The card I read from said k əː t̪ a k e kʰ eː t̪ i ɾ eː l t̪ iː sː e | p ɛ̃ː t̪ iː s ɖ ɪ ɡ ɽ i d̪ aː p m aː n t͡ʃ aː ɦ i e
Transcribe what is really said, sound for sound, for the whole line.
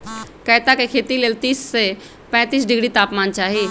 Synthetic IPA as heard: k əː t̪ a k e kʰ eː t̪ i l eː l t̪ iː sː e | p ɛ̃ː t̪ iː s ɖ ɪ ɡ ɽ i t̪ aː p m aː n t͡ʃ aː ɦ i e